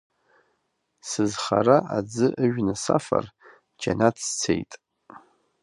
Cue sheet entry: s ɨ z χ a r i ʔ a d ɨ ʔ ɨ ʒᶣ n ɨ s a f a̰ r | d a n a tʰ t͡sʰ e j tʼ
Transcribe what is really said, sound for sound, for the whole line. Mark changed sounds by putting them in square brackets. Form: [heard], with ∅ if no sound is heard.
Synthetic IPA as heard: s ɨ z χ a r [a] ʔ a [d͡z] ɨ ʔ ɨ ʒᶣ n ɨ s a f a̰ r | [d͡ʒ] a n a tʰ t͡sʰ e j tʼ

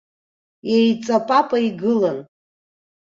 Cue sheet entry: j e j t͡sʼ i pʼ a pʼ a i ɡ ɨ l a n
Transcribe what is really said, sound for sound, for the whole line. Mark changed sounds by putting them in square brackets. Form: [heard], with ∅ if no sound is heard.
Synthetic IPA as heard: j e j t͡sʼ [a] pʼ a pʼ a i ɡ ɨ l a n

